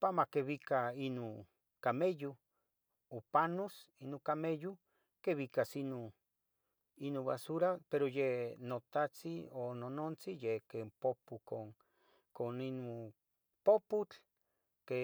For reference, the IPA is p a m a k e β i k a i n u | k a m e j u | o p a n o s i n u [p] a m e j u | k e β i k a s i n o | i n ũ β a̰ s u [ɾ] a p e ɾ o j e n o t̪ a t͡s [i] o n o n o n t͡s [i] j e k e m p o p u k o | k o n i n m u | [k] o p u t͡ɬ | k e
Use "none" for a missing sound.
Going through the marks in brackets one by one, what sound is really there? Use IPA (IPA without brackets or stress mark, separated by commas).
k, ɾ, i, i, p